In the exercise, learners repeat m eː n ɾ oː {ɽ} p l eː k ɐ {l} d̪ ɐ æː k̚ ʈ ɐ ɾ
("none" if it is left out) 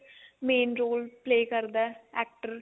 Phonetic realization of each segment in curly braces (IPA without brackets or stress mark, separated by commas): l, ɾ